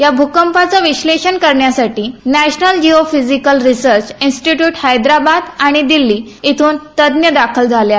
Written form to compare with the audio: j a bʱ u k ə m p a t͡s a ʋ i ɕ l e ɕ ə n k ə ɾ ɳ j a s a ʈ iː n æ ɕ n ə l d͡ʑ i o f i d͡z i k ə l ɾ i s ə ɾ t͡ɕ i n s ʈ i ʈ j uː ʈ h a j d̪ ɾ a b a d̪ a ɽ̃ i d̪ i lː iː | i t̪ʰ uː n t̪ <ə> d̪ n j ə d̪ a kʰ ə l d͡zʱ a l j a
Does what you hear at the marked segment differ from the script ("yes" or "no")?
no